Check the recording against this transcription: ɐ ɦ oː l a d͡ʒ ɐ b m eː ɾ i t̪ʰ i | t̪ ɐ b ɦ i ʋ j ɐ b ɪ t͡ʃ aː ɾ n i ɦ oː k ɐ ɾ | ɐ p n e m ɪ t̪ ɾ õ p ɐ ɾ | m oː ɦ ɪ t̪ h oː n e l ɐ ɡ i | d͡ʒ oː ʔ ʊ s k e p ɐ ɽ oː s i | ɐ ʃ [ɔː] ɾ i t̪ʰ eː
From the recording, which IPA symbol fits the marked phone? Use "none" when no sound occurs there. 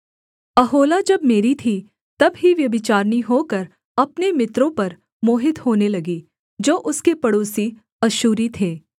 uː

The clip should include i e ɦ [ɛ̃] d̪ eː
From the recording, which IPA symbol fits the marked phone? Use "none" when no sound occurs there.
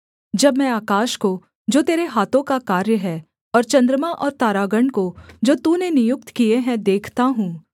ɛ̃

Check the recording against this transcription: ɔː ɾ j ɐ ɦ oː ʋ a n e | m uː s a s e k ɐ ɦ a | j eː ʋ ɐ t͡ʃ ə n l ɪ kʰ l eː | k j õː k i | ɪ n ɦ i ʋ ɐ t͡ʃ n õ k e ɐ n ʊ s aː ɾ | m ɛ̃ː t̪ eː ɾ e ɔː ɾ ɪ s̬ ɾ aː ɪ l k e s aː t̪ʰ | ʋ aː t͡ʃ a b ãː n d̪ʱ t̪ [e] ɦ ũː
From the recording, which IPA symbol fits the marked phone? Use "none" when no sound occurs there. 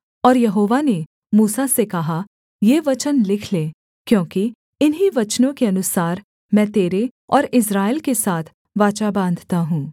a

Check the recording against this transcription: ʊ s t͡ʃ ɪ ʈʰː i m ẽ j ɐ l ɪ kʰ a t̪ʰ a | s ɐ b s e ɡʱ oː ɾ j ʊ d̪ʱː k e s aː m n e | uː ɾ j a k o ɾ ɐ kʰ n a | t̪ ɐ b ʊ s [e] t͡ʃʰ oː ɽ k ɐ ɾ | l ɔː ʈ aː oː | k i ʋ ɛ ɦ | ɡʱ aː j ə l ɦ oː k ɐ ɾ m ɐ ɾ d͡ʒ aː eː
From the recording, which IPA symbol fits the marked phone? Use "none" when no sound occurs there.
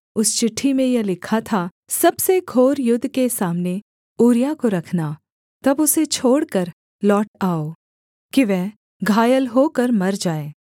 e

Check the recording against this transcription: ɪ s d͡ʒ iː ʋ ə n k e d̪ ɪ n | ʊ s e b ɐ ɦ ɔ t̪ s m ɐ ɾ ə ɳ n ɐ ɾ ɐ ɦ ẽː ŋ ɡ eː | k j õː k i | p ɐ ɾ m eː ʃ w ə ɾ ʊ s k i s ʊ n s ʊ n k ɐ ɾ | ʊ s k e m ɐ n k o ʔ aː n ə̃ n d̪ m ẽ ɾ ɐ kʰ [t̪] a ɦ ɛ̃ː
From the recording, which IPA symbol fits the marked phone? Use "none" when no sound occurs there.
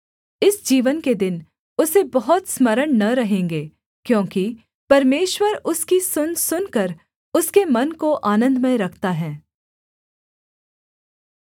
t̪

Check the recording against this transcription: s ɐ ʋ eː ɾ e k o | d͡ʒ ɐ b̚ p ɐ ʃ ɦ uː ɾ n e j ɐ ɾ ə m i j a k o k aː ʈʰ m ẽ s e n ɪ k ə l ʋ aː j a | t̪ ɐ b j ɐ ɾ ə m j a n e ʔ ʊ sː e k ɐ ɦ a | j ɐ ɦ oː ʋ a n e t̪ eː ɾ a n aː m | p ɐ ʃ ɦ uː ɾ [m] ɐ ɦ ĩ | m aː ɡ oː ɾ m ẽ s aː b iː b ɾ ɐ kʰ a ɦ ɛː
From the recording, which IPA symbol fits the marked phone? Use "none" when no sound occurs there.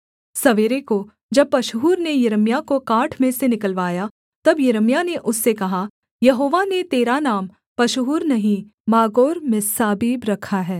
n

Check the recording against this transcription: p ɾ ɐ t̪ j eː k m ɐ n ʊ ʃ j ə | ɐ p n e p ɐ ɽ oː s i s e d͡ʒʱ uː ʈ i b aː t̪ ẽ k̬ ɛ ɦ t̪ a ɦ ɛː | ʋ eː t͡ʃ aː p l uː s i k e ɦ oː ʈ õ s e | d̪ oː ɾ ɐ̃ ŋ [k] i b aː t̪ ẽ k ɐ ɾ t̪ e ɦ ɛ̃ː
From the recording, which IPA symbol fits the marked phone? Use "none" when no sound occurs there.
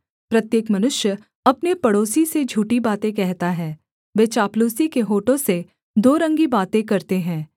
ɡ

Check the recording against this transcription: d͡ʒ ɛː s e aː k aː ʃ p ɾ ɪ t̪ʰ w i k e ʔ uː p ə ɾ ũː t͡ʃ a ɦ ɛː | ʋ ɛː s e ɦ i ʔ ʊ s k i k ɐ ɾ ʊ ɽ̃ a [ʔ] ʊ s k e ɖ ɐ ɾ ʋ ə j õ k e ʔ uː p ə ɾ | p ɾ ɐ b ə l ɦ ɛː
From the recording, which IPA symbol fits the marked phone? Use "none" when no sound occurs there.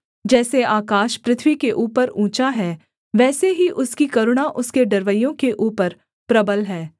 ʔ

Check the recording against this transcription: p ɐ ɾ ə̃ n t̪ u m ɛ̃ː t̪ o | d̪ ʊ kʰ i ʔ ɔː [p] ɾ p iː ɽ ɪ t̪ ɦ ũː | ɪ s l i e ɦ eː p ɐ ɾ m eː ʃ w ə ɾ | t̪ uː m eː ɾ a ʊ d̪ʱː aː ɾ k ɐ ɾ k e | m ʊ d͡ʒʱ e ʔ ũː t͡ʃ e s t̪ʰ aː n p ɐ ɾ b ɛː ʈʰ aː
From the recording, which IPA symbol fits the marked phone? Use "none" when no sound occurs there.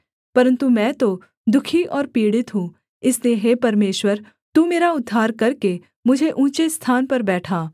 none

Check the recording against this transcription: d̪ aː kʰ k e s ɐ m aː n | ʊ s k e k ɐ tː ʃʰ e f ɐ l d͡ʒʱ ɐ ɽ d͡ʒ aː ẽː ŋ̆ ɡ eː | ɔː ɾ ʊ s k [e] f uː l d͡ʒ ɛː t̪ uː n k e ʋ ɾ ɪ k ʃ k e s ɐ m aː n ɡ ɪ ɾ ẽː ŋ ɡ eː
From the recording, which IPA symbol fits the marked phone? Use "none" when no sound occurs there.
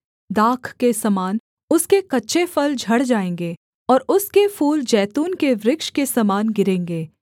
e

